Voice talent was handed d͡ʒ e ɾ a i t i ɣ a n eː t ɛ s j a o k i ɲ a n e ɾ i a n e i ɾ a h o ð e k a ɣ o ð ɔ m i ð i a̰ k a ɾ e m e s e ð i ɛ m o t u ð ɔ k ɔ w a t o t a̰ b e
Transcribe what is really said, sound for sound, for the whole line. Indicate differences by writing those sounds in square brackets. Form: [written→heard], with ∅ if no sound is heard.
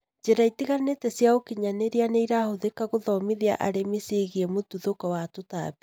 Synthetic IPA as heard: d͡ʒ e ɾ a i t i ɣ a n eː t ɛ s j a o k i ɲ a n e ɾ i a n e i ɾ a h o ð e k a ɣ o ð ɔ m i ð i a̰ [k→ʔ] a ɾ e m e s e [ð→ɣ] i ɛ m o t u ð [ɔ→o] k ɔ w a t o t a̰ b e